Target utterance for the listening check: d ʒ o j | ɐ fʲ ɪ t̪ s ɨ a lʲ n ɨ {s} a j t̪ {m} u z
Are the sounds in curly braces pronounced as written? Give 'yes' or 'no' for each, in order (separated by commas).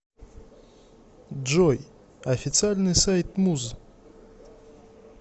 yes, yes